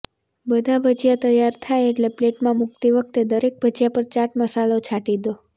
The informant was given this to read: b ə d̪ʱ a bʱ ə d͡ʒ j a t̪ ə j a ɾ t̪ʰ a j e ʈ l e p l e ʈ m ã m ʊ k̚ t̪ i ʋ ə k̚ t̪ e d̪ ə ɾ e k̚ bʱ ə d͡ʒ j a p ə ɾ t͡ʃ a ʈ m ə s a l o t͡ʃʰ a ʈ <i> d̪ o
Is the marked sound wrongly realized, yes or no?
no